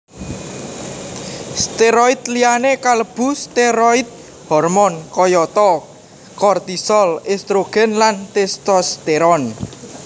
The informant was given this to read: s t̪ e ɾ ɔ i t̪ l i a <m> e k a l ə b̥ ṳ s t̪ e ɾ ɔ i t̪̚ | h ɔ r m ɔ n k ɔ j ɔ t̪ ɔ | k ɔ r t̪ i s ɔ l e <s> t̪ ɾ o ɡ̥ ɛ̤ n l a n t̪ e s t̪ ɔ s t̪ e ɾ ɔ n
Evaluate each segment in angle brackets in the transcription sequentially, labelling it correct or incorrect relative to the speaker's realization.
incorrect: n, correct

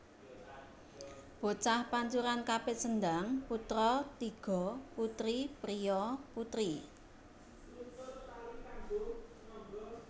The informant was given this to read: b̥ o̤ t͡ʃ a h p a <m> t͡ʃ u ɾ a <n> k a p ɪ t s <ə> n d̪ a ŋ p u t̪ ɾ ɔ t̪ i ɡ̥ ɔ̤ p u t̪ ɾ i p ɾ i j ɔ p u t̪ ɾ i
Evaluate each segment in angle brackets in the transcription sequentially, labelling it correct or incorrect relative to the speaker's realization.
incorrect: ɲ, correct, correct

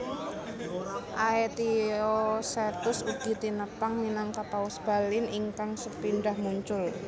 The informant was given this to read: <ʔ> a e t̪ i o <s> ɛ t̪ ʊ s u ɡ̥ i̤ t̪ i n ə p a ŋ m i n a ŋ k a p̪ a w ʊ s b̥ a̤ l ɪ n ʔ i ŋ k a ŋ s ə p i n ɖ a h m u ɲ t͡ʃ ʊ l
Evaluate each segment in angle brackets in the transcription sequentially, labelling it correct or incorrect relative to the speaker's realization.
correct, correct

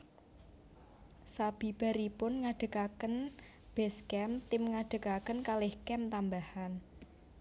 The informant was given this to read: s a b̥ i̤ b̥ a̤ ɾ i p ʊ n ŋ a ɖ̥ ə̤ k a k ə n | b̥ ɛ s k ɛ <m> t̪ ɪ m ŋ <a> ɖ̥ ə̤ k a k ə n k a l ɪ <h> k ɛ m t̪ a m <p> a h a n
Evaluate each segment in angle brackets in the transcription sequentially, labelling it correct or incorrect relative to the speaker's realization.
correct, correct, correct, incorrect: b

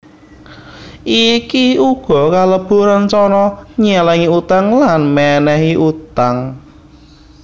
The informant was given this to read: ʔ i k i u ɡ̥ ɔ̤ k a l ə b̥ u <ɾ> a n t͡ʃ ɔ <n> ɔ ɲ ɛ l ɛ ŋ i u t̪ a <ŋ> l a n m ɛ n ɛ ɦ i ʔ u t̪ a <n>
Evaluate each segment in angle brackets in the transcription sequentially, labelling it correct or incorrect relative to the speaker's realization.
correct, correct, correct, incorrect: ŋ

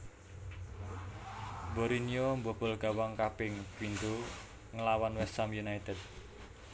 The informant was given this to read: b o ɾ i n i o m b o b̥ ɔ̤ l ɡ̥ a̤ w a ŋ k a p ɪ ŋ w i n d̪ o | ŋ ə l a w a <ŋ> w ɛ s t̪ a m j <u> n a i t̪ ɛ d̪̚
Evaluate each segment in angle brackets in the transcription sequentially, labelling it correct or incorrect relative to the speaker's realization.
incorrect: n, correct

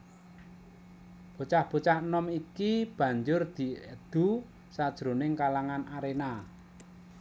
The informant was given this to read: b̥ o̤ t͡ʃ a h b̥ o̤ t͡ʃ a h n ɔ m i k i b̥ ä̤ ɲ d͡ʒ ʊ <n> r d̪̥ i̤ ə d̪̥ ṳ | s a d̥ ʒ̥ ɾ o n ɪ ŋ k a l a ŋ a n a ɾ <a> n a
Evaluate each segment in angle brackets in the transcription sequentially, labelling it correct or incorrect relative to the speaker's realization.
incorrect: none, incorrect: e

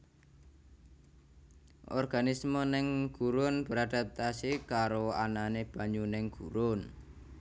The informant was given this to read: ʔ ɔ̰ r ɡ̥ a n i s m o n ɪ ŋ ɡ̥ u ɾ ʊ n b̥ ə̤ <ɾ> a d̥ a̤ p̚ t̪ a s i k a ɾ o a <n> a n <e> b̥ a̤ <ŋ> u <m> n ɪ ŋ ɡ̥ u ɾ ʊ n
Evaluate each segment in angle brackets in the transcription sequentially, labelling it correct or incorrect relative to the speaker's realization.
correct, correct, correct, incorrect: ɲ, incorrect: none

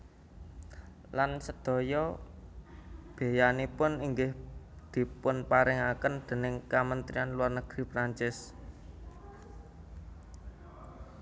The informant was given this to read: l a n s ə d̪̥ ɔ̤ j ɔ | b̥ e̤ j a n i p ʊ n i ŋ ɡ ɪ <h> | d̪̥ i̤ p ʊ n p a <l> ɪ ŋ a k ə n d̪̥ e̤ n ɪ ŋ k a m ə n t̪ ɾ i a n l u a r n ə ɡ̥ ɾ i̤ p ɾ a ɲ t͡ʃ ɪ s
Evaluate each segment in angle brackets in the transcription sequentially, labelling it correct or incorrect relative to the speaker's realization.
correct, incorrect: ɾ

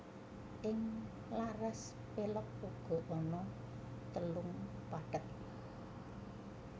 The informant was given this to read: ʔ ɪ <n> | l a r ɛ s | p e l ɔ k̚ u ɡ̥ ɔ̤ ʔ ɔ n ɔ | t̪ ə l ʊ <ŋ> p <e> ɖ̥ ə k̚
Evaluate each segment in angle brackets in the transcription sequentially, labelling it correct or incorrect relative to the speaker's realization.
incorrect: ŋ, correct, incorrect: a

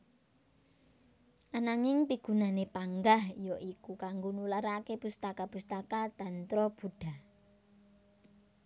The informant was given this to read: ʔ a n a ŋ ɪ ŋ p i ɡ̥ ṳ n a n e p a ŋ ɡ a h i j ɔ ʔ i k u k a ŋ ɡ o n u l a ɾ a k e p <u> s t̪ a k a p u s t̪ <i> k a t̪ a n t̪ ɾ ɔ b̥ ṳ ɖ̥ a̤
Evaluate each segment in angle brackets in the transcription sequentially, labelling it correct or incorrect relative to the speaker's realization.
correct, incorrect: a

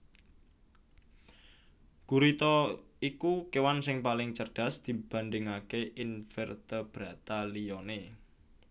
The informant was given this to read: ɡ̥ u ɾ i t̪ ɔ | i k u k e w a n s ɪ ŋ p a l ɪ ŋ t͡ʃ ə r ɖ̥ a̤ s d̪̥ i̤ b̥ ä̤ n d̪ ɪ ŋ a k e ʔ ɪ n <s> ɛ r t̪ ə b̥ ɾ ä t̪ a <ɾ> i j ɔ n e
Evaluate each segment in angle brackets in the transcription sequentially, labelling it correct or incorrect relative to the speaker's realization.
incorrect: f, incorrect: l

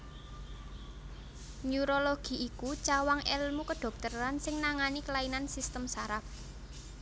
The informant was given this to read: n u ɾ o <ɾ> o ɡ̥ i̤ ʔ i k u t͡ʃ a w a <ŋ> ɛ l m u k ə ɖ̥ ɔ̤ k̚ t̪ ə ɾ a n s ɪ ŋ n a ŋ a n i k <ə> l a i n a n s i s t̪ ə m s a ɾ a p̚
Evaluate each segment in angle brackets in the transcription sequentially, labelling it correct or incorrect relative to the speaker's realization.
incorrect: l, correct, correct

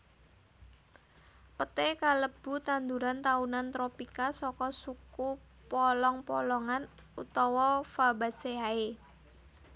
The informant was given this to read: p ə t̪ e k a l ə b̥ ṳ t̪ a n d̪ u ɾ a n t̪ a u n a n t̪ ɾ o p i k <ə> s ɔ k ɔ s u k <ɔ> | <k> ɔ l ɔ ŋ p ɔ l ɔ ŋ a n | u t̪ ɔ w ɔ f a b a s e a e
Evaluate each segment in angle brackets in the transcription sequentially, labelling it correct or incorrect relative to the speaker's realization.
incorrect: a, incorrect: u, incorrect: p

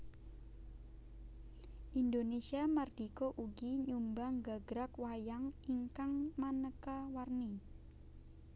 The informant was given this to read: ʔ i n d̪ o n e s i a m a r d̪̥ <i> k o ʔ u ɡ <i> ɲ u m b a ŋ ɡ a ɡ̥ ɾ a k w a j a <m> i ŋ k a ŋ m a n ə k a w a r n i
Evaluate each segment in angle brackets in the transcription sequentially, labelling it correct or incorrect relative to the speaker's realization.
correct, correct, incorrect: ŋ

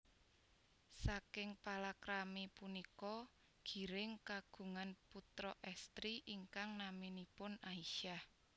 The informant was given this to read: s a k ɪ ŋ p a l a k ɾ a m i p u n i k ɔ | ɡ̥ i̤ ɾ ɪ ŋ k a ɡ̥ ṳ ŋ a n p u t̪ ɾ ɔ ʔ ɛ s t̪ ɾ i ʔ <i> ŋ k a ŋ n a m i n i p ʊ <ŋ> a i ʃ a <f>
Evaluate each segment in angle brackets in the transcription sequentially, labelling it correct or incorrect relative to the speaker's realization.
correct, incorrect: n, incorrect: h

